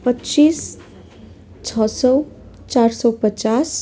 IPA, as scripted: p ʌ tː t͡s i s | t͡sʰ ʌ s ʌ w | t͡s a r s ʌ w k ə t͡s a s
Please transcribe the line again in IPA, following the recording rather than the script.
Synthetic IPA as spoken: p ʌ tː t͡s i s | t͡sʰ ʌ s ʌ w | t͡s a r s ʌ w p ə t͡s a s